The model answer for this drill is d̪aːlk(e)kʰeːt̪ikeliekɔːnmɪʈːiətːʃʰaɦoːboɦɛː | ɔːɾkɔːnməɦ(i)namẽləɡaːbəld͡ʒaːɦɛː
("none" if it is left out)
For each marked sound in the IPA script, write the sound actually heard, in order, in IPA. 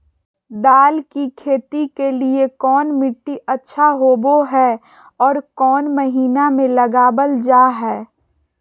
i, iː

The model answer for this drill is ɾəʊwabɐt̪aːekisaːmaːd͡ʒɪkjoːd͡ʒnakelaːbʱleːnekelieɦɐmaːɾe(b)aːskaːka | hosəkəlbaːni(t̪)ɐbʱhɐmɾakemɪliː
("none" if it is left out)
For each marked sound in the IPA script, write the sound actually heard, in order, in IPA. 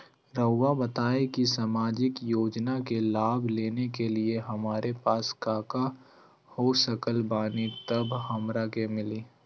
p, t̪

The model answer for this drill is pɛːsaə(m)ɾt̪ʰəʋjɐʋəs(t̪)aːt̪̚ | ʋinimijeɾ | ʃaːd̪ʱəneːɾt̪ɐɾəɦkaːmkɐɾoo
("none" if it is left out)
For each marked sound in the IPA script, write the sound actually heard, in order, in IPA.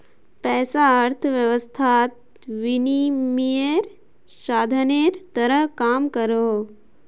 none, t̪ʰ

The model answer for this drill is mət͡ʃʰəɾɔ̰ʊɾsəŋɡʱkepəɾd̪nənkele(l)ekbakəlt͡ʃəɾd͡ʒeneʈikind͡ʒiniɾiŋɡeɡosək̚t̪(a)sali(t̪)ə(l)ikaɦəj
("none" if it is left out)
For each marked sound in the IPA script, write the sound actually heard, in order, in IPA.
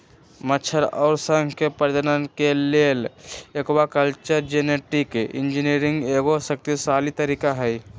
l, i, t̪, ɾ

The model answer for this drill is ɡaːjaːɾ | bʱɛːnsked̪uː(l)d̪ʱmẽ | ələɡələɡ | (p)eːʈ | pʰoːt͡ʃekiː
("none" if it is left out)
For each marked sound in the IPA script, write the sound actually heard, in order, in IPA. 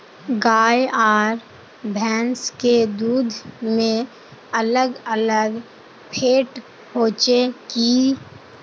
none, pʰ

